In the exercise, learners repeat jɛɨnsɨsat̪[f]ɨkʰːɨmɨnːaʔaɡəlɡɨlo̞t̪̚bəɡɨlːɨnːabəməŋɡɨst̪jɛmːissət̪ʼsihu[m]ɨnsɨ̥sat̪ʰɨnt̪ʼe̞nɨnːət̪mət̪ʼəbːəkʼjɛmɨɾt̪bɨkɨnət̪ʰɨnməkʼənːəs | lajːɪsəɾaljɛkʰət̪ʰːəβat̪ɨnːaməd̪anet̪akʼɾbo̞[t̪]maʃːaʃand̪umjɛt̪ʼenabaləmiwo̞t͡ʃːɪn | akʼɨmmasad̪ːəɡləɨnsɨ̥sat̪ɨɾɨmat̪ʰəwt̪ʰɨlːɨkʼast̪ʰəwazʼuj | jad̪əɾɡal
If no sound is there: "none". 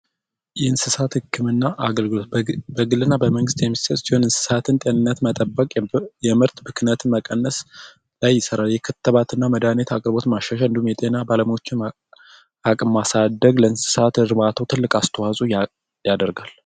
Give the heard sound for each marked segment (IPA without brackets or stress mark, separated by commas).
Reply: h, n, t̪